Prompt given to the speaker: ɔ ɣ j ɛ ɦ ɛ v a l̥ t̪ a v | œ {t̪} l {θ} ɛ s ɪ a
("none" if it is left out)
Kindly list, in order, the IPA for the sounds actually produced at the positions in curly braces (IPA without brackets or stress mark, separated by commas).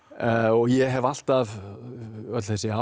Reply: t̪, θ